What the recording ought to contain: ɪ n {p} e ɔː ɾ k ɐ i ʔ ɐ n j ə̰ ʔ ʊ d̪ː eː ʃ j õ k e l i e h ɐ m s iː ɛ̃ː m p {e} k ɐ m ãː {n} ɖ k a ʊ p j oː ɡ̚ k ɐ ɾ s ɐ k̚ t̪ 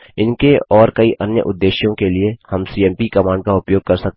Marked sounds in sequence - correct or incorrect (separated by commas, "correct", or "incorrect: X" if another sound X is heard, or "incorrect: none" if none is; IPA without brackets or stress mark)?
incorrect: k, incorrect: i, incorrect: ɳ